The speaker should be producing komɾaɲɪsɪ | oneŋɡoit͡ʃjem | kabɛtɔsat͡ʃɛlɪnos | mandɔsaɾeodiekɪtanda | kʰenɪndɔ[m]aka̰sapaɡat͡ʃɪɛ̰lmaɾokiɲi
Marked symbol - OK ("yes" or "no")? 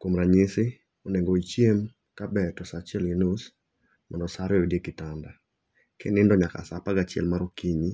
no